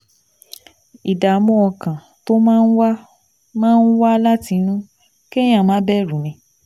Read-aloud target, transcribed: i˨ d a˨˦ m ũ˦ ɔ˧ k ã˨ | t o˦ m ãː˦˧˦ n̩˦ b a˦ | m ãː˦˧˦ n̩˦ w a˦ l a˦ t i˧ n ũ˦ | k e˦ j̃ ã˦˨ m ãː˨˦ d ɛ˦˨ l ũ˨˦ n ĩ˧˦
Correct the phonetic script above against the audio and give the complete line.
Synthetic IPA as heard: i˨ d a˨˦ m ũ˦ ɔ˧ k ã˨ | t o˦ m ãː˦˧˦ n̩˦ w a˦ | m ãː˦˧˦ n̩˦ w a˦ l a˦ t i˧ n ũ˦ | k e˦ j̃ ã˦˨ m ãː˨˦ b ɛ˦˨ ɾ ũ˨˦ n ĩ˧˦